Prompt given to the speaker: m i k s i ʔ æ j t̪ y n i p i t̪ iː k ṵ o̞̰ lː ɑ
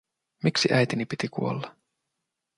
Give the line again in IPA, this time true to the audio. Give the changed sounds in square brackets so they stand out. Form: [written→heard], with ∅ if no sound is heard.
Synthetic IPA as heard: m i k s i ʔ æ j t̪ [y→i] n i p i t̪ [iː→i] k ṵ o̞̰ lː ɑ